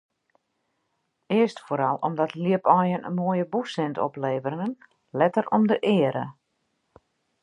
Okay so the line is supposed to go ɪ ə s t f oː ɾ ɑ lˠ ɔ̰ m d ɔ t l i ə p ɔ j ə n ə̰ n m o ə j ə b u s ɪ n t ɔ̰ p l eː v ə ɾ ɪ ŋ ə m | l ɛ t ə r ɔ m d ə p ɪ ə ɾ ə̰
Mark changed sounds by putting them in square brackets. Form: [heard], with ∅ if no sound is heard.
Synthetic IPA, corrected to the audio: ɪ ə s t f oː ɾ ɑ lˠ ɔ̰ m d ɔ t l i ə p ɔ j ə n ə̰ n m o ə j ə b u s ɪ n t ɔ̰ p l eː v ə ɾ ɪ ŋ ə [n] | l ɛ t ə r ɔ m d ə [ʔ] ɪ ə ɾ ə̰